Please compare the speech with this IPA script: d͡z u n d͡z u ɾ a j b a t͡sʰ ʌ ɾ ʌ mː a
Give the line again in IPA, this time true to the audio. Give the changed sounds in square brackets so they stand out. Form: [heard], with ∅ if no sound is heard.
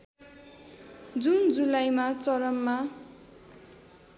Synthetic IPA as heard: d͡z u n d͡z u [l] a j [m] a [t͡s] ʌ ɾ ʌ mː a